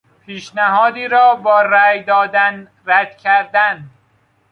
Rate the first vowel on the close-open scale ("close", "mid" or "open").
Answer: close